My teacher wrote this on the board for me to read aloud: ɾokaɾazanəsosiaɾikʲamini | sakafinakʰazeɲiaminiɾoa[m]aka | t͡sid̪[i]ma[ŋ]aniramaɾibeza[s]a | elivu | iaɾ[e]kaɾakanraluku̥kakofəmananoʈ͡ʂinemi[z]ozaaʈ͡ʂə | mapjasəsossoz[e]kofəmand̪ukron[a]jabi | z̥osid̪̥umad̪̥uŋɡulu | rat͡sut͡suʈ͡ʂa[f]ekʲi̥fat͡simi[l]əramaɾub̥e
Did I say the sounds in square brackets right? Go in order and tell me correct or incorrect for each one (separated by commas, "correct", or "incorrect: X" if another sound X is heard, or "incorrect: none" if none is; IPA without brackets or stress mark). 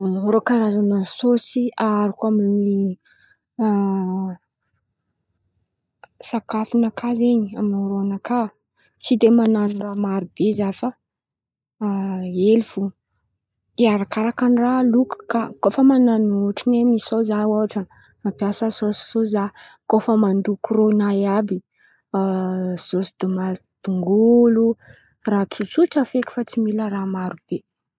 incorrect: n, incorrect: e, incorrect: n, incorrect: f, incorrect: a, incorrect: s, incorrect: a, correct, correct, correct